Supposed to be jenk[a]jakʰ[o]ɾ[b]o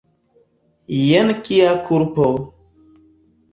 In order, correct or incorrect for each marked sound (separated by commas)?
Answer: incorrect, incorrect, incorrect